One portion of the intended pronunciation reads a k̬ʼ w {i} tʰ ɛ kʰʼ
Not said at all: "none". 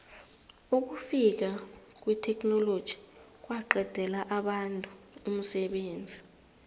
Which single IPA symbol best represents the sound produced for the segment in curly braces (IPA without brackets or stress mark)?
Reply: i